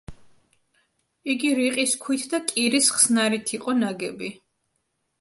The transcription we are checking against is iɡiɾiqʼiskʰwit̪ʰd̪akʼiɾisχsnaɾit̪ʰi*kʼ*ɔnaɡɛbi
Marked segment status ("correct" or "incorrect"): incorrect